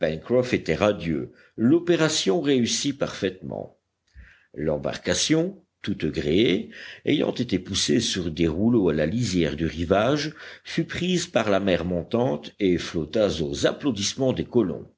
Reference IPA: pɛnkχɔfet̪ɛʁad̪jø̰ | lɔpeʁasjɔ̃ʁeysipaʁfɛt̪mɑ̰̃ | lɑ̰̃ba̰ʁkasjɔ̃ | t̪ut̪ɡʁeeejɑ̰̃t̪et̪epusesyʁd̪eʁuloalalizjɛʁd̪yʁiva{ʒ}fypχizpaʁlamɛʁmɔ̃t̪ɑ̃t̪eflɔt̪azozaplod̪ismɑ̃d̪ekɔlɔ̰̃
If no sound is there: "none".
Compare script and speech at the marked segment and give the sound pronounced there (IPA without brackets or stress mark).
ʒ